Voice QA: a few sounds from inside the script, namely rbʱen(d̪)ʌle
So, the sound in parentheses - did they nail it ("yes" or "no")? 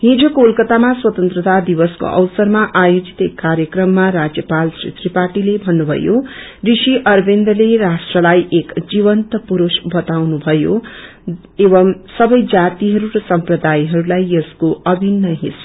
yes